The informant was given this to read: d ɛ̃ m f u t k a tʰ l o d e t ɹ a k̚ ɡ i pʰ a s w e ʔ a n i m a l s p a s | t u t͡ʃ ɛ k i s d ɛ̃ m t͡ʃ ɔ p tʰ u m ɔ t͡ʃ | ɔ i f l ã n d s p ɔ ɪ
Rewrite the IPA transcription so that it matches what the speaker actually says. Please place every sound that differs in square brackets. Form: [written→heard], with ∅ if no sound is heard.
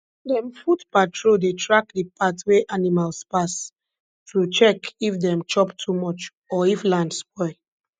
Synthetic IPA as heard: d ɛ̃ m f u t [k→p] a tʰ [l→ɹ] o d e t ɹ a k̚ [ɡ→d] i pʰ a [s→t] w e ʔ a n i m a l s p a s | t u t͡ʃ ɛ k i [s→f] d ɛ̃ m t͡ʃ ɔ p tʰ u m ɔ t͡ʃ | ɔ i f l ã n d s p ɔ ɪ